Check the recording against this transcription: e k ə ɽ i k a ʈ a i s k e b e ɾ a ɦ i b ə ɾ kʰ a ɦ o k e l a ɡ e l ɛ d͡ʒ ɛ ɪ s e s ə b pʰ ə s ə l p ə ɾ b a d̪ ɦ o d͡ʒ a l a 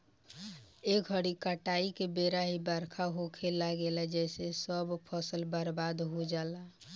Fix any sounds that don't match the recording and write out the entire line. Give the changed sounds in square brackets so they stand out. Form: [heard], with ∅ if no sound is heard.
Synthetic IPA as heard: e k ə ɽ i k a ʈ a i [∅] k e b e ɾ a ɦ i b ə ɾ kʰ a ɦ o [kʰ] e l a ɡ e l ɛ d͡ʒ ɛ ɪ s e s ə b pʰ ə s ə l [b] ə ɾ b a d̪ ɦ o d͡ʒ a l a

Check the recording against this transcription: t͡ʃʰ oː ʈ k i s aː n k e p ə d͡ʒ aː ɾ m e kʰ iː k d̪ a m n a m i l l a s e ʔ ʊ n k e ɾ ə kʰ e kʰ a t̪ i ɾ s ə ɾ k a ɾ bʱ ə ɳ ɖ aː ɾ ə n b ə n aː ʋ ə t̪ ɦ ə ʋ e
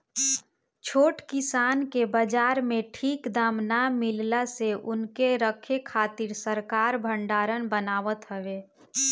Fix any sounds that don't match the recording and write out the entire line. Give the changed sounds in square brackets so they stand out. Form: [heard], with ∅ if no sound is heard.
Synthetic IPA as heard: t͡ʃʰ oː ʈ k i s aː n k e [b] ə d͡ʒ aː ɾ m e [ʈʰ] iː k d̪ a m n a m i l l a s e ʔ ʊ n k e ɾ ə kʰ e kʰ a t̪ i ɾ s ə ɾ k a ɾ bʱ ə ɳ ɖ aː ɾ ə n b ə n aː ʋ ə t̪ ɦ ə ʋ e

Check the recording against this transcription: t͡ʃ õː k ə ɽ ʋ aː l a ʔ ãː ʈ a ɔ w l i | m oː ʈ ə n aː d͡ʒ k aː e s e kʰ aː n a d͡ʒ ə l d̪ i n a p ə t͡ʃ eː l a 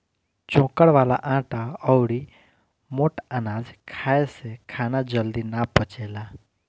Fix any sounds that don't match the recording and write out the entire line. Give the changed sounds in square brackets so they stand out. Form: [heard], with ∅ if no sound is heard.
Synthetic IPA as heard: t͡ʃ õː k ə ɽ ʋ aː l a ʔ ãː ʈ a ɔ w [ɽ] i | m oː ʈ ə n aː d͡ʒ [kʰ] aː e s e kʰ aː n a d͡ʒ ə l d̪ i n a p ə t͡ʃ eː l a

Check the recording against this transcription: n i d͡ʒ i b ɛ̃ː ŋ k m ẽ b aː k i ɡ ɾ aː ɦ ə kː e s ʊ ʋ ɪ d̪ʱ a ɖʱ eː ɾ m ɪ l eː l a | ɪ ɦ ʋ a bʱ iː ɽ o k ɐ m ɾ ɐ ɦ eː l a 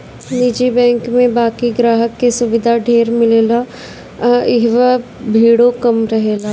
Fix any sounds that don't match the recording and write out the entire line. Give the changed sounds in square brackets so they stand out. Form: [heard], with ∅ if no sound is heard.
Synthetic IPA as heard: n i d͡ʒ i b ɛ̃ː ŋ k m ẽ b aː k i ɡ ɾ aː ɦ ə kː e s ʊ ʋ ɪ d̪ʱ a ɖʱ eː ɾ m ɪ l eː l a | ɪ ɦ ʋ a bʱ iː ɽ o k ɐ m ɾ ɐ ɦ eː l a

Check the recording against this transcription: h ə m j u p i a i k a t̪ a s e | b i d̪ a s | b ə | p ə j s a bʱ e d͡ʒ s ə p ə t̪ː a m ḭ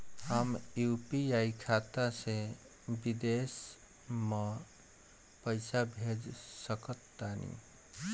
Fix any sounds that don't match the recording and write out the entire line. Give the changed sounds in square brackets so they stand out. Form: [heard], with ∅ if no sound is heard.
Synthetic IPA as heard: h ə m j u p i a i [kʰ] a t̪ a s e | b i d̪ [e] s | [m] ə | p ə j s a bʱ e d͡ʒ s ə [k] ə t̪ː a [n] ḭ

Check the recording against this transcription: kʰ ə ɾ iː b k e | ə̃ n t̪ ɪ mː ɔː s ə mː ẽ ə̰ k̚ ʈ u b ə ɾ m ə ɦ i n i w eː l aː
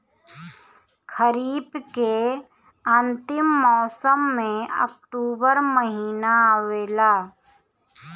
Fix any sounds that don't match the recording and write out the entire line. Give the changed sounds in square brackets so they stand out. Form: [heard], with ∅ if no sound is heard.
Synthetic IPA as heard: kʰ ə ɾ iː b k e | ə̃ n t̪ ɪ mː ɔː s ə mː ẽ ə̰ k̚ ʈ [uː] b ə ɾ m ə ɦ [iː] n [a] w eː l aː

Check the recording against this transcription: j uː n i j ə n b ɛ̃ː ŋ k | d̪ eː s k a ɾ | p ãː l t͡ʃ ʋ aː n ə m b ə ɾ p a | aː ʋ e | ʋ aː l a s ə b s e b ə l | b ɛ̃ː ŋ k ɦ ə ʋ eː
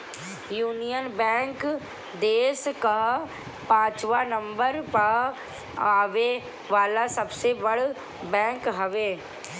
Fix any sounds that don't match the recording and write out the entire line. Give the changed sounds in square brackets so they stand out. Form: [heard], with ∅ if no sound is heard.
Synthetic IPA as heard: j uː n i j ə n b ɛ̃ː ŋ k | d̪ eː s k a [∅] | p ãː [∅] t͡ʃ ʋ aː n ə m b ə ɾ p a | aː ʋ e | ʋ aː l a s ə b s e b ə [ɽ] | b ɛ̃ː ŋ k ɦ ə ʋ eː

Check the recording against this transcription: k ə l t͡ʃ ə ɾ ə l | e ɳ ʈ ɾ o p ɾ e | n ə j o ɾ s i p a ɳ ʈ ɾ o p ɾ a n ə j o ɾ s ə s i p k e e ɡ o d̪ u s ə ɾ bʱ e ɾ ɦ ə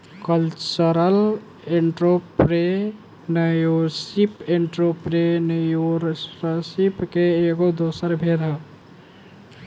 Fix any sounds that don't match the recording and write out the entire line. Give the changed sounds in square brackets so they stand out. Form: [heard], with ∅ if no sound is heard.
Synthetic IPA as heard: k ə l t͡ʃ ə ɾ ə l | e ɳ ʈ ɾ o p ɾ e | n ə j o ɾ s i p [e] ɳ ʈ ɾ o p ɾ [e] n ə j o ɾ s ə s i p k e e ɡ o d̪ [o] s ə ɾ bʱ e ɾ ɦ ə

